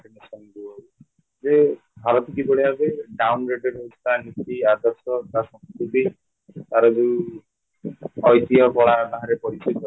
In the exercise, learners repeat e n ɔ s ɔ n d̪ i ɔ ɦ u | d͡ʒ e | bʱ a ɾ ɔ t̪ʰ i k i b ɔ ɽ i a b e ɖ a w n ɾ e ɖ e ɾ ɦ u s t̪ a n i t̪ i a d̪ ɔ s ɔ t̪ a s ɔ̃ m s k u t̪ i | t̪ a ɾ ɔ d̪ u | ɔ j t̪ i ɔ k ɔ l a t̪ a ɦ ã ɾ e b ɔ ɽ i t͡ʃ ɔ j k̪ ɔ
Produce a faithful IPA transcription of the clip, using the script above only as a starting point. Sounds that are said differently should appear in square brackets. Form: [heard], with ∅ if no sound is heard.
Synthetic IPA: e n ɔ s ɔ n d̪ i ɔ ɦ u | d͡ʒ e | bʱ a ɾ ɔ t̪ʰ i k i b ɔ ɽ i a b e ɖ a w n ɾ e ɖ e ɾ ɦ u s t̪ a n i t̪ i a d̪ ɔ s ɔ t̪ a s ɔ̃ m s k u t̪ i | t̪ a ɾ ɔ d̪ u | ɔ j t̪ i ɔ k ɔ [ɭ] a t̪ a ɦ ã ɾ e [p] ɔ ɽ i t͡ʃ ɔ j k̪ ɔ